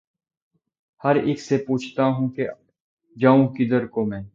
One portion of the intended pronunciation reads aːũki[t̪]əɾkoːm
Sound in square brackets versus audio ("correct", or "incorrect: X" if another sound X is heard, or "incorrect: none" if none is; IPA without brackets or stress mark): incorrect: d̪